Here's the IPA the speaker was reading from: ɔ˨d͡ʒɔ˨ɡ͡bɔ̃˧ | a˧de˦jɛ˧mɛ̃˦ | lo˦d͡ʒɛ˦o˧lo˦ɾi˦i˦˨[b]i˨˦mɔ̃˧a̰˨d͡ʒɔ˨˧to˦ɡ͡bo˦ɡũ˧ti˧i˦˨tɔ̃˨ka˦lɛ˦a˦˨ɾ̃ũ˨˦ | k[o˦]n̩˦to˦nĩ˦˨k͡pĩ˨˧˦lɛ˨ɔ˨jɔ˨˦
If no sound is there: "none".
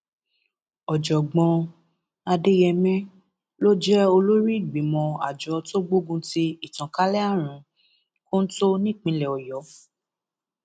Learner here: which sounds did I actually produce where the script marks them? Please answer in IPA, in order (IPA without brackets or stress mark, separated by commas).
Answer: ɡ͡b, o˦